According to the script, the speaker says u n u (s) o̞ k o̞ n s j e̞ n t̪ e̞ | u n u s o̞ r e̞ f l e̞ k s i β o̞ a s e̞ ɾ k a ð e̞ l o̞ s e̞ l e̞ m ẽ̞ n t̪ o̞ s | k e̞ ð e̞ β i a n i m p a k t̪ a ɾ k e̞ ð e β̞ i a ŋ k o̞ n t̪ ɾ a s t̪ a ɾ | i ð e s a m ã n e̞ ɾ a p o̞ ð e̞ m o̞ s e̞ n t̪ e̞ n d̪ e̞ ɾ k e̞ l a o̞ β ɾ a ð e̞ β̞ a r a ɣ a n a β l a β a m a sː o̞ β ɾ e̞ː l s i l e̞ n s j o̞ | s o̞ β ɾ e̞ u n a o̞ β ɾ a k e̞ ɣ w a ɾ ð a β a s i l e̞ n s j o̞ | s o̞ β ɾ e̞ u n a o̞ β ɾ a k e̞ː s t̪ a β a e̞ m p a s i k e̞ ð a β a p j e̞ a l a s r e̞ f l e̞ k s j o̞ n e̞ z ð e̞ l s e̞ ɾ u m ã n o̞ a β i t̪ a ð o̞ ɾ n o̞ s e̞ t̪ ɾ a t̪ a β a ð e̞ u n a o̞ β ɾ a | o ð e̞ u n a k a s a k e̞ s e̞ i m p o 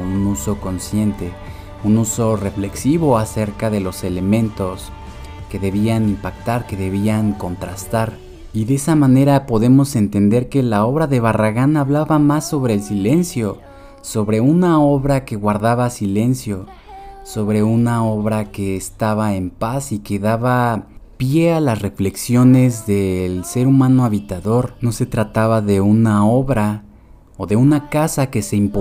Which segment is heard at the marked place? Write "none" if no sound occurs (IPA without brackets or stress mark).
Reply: s